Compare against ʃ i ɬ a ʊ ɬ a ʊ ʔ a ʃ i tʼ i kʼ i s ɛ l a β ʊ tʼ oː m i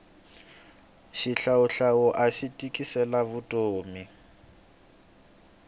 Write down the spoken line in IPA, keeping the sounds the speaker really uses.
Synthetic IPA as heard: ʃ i ɬ a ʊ ɬ a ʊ ʔ a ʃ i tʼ i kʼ i s ɛ l a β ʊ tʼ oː m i